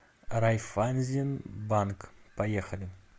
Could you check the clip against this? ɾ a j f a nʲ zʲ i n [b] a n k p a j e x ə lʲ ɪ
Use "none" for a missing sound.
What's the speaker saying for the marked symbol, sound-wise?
b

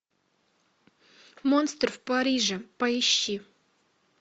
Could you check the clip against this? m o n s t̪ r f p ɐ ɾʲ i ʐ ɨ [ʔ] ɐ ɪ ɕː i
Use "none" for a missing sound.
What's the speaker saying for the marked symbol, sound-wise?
p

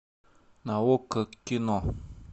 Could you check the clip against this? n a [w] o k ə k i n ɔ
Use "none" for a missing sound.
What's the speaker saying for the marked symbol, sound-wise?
w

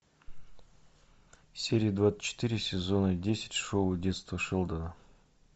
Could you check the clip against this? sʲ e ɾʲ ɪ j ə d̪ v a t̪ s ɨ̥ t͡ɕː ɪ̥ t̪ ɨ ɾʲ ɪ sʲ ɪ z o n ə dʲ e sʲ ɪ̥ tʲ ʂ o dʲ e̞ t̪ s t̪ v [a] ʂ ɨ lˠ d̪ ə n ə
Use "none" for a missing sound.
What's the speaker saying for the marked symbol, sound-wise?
ə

